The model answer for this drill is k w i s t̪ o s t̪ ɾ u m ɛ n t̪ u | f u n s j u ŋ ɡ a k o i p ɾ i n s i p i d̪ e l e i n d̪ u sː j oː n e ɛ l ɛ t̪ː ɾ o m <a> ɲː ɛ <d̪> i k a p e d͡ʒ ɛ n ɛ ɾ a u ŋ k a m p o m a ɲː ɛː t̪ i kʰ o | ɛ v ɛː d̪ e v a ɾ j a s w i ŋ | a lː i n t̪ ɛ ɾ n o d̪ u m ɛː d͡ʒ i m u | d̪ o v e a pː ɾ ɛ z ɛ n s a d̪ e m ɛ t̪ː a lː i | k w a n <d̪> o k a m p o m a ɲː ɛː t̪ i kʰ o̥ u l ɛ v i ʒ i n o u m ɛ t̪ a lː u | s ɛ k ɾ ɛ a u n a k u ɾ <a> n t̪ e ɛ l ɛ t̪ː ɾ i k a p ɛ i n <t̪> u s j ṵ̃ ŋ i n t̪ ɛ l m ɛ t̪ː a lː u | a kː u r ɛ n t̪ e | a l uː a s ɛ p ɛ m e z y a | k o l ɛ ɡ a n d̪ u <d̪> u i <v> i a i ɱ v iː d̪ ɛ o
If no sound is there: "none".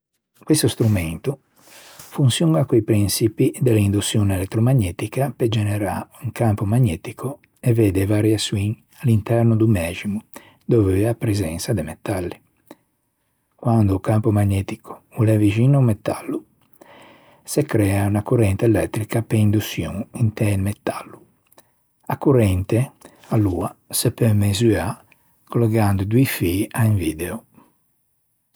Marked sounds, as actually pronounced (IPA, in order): a, t̪, d̪, ɛ, d̪, d̪, f

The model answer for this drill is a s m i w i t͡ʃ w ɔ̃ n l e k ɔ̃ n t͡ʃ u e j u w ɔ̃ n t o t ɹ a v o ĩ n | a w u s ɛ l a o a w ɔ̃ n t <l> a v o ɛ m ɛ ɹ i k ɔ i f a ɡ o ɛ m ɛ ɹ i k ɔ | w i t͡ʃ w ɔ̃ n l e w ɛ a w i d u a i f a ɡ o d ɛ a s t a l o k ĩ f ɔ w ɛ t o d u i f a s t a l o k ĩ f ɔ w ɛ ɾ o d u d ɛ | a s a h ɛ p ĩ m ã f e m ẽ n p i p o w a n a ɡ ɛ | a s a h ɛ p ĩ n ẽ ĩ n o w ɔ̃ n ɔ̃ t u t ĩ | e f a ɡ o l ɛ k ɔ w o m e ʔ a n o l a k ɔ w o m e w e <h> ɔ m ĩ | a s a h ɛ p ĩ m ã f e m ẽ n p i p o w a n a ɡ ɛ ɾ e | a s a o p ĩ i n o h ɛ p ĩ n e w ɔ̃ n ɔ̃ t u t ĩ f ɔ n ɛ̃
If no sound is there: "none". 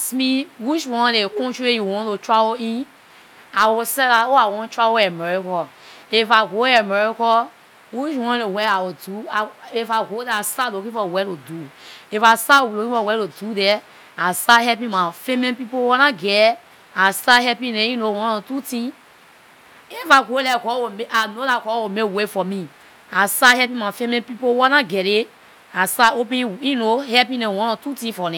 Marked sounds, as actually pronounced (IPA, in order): ɹ, f

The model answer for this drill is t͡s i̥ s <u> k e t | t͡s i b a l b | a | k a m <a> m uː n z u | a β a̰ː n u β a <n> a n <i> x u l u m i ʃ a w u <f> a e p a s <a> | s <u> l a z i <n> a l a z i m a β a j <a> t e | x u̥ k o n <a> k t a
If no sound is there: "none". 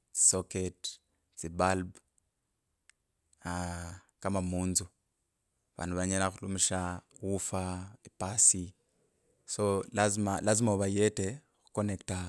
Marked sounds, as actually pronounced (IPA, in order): o, a, ɲ, a, f, i, o, m, e, e

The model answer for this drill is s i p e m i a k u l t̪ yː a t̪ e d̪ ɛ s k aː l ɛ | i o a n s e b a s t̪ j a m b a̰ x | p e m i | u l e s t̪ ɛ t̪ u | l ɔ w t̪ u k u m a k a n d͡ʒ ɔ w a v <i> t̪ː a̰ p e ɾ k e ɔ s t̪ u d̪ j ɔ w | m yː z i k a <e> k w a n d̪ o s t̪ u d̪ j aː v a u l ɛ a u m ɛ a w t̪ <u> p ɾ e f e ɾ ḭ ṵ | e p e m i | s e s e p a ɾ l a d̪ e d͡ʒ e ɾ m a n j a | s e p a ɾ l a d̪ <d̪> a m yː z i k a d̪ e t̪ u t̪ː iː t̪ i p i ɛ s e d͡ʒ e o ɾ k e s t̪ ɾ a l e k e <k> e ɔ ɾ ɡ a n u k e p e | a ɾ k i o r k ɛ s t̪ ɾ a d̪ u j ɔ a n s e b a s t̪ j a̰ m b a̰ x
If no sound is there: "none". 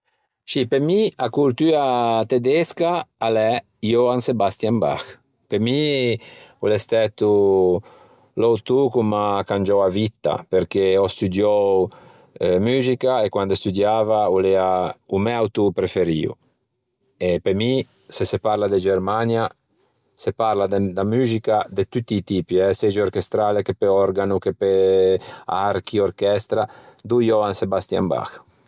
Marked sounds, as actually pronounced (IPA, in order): i, e, u, d̪, p

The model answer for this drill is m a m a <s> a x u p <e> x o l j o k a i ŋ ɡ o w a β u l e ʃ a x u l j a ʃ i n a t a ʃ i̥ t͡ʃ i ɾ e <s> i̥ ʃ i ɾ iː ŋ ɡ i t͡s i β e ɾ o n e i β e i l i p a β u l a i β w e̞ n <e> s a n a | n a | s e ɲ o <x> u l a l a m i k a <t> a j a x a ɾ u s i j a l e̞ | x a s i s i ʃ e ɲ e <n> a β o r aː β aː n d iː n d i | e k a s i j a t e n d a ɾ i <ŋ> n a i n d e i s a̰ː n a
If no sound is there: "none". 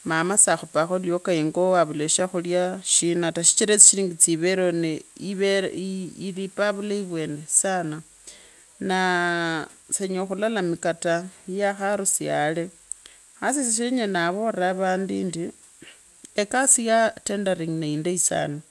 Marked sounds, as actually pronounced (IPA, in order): s, a, t͡s, e, x, t, n, ŋ

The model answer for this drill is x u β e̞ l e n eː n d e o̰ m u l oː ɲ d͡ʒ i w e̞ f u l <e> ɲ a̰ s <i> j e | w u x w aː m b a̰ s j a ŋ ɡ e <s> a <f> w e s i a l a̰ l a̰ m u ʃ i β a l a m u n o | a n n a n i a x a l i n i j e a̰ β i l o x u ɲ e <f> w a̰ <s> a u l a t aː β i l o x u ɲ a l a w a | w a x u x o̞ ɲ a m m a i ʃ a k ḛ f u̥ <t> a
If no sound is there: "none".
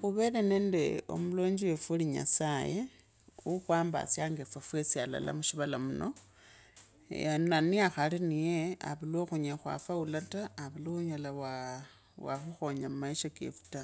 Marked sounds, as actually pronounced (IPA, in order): i, a, f, f, x, f, t

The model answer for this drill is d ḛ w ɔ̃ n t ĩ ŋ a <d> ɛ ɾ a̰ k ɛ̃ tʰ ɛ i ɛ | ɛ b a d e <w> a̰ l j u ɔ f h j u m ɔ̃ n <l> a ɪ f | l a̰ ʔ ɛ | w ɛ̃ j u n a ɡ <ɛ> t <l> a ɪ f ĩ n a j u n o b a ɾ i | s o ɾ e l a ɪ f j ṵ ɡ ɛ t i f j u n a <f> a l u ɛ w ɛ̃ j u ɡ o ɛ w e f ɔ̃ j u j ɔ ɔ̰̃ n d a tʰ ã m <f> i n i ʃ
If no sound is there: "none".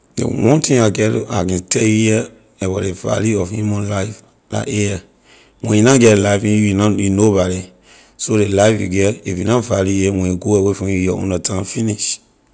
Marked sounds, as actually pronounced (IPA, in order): ɡ, v, l, ɛ, l, v, f

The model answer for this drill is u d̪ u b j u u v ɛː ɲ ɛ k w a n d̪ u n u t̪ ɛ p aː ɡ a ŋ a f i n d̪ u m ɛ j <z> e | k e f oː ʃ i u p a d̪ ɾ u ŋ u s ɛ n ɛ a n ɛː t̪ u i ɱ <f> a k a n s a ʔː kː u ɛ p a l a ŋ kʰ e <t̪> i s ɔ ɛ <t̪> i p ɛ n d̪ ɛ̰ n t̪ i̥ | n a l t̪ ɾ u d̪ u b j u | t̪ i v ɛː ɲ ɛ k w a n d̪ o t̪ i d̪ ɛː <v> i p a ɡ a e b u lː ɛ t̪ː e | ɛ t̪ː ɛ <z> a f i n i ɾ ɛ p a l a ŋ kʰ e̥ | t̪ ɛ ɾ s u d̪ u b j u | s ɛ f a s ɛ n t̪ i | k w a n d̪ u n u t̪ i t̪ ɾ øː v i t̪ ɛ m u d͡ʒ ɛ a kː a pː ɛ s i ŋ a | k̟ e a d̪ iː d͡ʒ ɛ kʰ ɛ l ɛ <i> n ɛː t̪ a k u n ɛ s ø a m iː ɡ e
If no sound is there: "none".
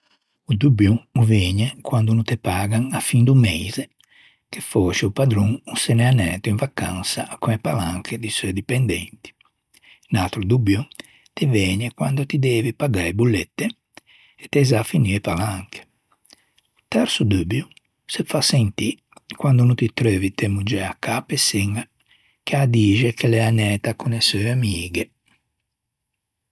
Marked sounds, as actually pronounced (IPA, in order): z, v, d̪, d̪, v, z, a

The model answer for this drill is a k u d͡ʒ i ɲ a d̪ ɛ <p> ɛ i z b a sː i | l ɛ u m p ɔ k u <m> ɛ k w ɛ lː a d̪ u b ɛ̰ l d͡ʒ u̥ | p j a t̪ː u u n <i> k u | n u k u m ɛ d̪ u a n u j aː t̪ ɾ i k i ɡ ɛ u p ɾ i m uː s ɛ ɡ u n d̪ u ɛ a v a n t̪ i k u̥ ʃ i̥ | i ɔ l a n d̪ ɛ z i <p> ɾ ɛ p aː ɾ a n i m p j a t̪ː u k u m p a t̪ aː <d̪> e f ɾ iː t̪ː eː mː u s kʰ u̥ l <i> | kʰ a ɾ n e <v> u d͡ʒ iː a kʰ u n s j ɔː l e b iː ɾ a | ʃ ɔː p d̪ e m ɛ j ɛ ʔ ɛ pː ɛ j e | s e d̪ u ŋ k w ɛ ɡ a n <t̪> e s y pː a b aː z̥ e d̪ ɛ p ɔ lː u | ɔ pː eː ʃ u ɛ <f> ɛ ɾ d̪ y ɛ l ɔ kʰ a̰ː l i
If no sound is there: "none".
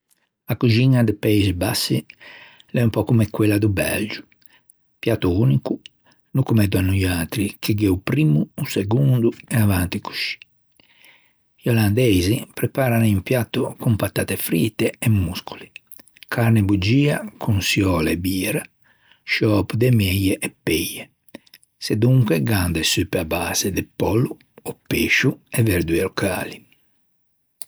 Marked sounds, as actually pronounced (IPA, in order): p, m, i, p, t̪, i, b, d̪, v

